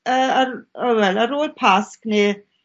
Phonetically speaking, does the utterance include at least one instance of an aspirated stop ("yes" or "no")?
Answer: yes